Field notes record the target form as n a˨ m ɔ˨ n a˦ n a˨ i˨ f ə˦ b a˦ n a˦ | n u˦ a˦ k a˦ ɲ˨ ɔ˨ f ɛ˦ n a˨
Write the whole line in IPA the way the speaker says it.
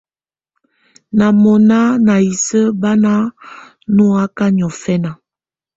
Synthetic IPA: n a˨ m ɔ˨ n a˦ n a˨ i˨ s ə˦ b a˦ n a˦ | n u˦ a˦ k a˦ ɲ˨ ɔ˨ f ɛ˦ n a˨